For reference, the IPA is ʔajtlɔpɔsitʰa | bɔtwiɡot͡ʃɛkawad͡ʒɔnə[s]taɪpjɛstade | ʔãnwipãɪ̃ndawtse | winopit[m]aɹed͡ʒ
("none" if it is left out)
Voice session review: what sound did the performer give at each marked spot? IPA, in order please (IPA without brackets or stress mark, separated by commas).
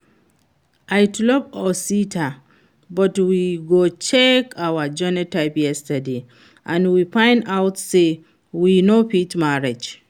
none, m